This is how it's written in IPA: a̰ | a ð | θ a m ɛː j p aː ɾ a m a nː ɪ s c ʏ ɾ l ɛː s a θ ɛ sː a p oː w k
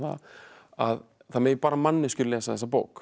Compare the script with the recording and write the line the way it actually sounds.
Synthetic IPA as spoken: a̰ | a ð | θ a m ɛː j p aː ɾ a m a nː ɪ s c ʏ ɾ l ɛː s a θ ɛ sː a p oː w k